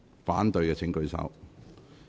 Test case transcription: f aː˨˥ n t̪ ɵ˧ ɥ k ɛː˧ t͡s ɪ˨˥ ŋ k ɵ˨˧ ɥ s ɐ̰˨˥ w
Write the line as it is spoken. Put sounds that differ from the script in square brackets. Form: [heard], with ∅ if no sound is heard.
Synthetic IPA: f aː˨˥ n t̪ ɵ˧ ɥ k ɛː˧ [t͡sʰ] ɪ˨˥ ŋ k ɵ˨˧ ɥ s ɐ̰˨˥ w